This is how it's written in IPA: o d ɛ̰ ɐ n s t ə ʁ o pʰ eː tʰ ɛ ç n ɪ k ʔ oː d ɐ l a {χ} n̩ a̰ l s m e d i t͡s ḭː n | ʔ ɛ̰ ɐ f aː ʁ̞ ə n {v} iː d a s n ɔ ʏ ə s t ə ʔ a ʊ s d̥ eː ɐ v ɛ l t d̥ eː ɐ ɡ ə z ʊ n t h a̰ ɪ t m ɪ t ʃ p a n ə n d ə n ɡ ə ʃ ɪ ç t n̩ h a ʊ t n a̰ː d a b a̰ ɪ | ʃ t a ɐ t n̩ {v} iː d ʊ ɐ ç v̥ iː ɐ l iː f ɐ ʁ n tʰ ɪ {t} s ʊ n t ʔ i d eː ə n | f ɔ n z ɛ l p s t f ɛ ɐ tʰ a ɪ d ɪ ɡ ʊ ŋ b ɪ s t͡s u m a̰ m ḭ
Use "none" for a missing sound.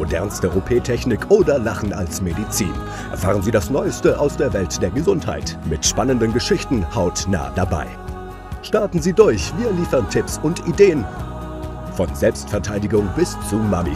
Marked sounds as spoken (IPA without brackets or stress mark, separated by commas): χ, z, z, p